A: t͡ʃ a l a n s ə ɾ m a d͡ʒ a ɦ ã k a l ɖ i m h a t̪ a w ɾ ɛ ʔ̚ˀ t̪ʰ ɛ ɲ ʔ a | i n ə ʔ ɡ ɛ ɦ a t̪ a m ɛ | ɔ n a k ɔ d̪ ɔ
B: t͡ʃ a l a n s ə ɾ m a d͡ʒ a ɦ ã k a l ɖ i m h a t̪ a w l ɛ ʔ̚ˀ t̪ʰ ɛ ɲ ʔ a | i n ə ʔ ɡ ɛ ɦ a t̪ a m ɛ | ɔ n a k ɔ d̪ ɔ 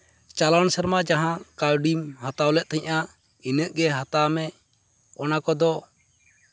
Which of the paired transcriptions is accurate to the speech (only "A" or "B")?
B